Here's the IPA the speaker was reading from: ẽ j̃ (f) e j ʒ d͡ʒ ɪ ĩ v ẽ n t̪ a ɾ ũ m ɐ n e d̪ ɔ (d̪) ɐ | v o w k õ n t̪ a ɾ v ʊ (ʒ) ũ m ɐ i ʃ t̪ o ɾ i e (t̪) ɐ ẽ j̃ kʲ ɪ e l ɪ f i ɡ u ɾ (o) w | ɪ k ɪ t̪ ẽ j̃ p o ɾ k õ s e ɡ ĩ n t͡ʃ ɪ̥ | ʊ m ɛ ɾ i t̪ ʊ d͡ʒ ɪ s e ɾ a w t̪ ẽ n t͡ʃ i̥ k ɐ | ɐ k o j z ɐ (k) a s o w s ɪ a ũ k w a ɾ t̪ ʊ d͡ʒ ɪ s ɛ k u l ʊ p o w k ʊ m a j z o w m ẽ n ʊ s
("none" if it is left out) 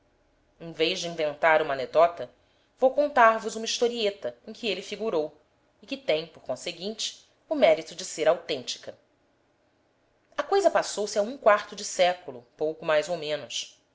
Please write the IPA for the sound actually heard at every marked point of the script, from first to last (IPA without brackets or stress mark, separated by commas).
v, t̪, z, t̪, o, p